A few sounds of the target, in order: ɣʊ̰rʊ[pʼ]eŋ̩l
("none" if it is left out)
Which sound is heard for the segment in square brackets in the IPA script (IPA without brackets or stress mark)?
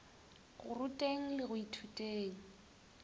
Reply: tʼ